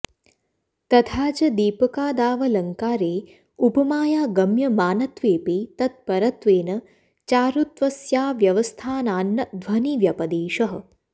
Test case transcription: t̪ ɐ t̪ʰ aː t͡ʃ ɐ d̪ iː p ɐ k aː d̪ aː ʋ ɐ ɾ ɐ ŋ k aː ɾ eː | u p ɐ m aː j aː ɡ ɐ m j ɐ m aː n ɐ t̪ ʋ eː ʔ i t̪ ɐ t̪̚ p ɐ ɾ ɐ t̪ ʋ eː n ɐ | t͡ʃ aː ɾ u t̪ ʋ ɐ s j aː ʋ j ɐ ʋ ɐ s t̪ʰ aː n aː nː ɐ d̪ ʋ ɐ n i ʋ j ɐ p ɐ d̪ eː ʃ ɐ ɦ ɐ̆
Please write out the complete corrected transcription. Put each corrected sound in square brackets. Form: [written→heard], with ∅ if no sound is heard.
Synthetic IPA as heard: t̪ ɐ t̪ʰ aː t͡ʃ ɐ d̪ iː p ɐ k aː d̪ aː ʋ ɐ [ɾ→l] ɐ ŋ k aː ɾ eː | u p ɐ m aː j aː ɡ ɐ m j ɐ m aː n ɐ t̪ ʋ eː [ʔ→p] i t̪ ɐ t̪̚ p ɐ ɾ ɐ t̪ ʋ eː n ɐ | t͡ʃ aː ɾ u t̪ ʋ ɐ s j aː ʋ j ɐ ʋ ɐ s t̪ʰ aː n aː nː ɐ d̪ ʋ ɐ n i ʋ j ɐ p ɐ d̪ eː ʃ ɐ ɦ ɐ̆